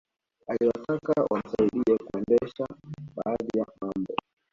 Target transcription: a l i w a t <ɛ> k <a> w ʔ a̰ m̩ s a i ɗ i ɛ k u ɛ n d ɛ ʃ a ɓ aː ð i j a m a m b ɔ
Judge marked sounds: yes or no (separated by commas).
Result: no, yes